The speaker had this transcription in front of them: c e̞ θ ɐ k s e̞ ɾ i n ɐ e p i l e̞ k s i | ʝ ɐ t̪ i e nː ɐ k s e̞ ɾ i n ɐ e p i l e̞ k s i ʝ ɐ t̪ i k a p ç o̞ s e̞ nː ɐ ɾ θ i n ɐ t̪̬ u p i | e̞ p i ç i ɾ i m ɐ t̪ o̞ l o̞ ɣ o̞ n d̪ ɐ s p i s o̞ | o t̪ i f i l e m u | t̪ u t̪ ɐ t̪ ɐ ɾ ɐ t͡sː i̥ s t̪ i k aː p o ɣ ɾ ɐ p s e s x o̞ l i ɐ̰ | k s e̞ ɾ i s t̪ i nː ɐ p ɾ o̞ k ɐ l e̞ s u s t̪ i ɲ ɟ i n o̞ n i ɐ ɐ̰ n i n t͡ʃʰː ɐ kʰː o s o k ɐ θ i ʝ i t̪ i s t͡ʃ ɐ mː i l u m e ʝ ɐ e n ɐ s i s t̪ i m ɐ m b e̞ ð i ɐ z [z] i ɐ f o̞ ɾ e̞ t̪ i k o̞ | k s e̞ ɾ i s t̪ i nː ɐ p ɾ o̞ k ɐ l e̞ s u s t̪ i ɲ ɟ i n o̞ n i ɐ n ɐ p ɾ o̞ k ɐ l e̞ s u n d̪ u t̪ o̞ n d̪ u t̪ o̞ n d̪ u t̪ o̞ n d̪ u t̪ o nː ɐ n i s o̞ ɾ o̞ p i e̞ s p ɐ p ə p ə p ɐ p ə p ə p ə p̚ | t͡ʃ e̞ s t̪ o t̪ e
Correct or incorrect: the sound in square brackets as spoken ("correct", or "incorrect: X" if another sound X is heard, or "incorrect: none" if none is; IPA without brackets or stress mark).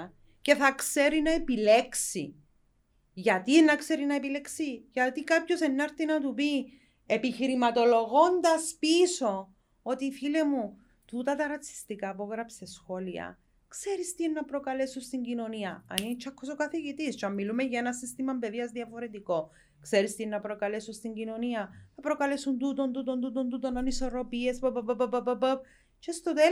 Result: incorrect: ð